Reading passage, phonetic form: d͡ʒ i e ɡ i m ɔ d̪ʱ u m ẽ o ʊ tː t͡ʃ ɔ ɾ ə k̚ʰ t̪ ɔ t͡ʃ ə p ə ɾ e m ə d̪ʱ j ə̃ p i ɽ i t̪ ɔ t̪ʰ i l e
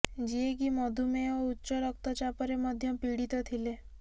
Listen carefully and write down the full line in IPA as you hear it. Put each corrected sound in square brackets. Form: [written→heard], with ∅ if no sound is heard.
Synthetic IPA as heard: d͡ʒ i e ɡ i m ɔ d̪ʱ u m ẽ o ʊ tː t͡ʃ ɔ ɾ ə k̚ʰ t̪ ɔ t͡ʃ [ə→a] p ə ɾ e m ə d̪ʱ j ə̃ p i ɽ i t̪ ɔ t̪ʰ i l e

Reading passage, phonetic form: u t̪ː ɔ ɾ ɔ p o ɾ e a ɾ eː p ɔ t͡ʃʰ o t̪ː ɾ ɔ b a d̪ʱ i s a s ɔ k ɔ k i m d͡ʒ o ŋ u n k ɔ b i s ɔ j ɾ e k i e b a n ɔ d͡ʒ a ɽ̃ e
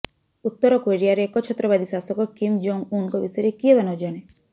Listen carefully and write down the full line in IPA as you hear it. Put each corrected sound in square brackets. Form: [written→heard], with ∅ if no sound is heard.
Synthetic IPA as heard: u t̪ː ɔ ɾ ɔ [p→k] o ɾ [e→i] a ɾ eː [p→k] ɔ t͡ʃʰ [o→ɔ] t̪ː ɾ ɔ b a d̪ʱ i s a s ɔ k ɔ k i m d͡ʒ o ŋ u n k ɔ b i s ɔ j ɾ e k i e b a n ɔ d͡ʒ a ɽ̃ e

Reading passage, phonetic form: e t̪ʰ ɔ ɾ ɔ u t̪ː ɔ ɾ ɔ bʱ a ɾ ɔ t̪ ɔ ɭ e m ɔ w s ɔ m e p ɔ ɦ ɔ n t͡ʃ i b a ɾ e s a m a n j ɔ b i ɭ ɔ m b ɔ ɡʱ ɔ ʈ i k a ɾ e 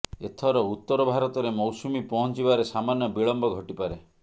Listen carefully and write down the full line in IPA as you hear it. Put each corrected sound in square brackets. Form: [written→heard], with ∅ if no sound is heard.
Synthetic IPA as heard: e t̪ʰ ɔ ɾ ɔ u t̪ː ɔ ɾ ɔ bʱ a ɾ ɔ t̪ ɔ [ɭ→ɾ] e m ɔ w s [ɔ→u] m [e→i] p ɔ ɦ ɔ n t͡ʃ i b a ɾ e s a m a n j ɔ b i ɭ ɔ m b ɔ ɡʱ ɔ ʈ i [k→p] a ɾ e

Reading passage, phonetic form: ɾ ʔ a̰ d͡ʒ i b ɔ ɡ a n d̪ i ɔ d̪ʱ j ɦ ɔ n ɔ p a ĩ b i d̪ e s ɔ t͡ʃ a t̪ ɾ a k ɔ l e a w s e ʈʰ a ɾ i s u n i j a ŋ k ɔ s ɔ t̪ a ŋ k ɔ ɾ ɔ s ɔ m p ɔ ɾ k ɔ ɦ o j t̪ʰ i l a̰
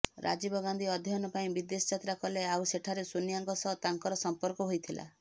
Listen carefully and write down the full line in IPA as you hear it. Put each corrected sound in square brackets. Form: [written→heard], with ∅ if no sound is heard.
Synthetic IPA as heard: ɾ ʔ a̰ d͡ʒ i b ɔ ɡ a n d̪ i ɔ d̪ʱ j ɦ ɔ n ɔ p a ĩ b i d̪ e s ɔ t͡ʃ a t̪ ɾ a k ɔ l e a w s e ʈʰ a ɾ [i→e] s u n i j a ŋ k ɔ s ɔ t̪ a ŋ k ɔ ɾ ɔ s ɔ m p ɔ ɾ k ɔ ɦ o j t̪ʰ i l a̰

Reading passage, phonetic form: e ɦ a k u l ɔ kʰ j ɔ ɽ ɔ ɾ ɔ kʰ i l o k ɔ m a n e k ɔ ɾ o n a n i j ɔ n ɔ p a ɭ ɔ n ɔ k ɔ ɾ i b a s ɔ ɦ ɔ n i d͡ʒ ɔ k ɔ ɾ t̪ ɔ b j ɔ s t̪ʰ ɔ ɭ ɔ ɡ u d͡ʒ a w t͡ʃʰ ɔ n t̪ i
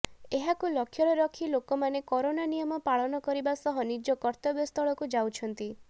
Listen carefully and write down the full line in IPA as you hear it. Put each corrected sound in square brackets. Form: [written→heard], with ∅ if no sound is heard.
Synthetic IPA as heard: e ɦ a k u l ɔ kʰ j ɔ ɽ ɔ ɾ ɔ kʰ i l o k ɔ m a n e k ɔ ɾ o n a n i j ɔ [n→m] ɔ p a ɭ ɔ n ɔ k ɔ ɾ i b a s ɔ ɦ ɔ n i d͡ʒ ɔ k ɔ ɾ t̪ ɔ b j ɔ s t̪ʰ ɔ ɭ ɔ [ɡ→k] u d͡ʒ a w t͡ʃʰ ɔ n t̪ i

